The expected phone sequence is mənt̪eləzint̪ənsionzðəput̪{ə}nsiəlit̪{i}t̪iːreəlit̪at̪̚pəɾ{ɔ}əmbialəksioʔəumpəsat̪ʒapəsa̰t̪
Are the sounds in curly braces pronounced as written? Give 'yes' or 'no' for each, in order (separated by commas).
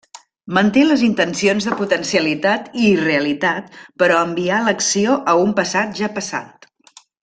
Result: yes, no, yes